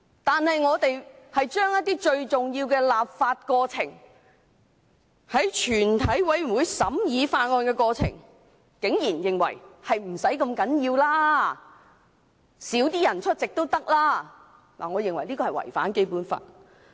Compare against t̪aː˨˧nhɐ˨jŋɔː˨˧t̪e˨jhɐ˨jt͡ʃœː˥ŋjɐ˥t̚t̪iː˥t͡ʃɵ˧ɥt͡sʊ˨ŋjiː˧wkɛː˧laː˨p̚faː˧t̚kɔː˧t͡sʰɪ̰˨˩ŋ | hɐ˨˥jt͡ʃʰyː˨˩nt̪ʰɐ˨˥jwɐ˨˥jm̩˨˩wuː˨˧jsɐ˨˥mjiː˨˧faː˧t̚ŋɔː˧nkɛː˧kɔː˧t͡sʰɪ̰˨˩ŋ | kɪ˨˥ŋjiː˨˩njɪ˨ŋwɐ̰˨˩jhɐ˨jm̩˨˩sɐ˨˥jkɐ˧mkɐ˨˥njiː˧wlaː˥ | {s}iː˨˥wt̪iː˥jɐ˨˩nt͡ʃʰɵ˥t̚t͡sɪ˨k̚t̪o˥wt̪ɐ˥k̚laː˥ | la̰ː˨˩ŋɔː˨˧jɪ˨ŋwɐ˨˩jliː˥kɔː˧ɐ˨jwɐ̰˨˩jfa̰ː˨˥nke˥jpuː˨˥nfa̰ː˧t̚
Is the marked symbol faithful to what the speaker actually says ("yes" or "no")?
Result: yes